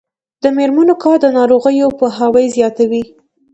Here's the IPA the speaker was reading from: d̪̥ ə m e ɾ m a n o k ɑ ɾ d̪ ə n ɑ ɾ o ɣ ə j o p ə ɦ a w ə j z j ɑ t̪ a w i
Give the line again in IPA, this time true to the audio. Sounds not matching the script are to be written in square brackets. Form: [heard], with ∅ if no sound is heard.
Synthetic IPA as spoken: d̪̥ ə m e ɾ m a n o k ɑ ɾ d̪ ə n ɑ ɾ o ɣ ə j o p ə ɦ a w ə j z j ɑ t̪ a w i